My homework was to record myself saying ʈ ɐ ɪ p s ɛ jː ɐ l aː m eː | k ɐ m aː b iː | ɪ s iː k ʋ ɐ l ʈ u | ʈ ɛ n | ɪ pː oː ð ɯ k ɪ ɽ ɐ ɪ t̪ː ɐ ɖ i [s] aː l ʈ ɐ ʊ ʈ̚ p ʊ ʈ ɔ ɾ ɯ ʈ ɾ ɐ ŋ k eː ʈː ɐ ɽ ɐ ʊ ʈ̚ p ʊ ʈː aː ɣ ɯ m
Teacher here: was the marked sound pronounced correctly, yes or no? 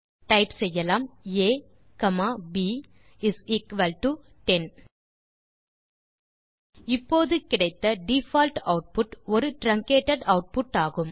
no